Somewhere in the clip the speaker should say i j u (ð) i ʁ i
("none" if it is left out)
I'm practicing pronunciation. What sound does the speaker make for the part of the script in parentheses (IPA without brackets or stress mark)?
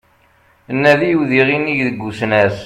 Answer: ð